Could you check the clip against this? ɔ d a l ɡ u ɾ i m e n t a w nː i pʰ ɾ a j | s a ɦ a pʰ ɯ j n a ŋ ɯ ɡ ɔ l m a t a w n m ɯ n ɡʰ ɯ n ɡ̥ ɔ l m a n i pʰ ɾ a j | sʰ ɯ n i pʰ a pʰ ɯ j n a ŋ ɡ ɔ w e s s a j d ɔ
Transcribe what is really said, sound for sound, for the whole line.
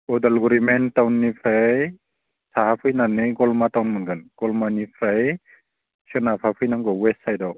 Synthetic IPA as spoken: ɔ d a l ɡ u ɾ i m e n t a w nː i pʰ ɾ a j | s a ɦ a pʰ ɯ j n a n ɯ ɡ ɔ l m a t a w n m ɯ n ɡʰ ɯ n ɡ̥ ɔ l m a n i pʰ ɾ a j | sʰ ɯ n a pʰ a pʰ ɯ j n a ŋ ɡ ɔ w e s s a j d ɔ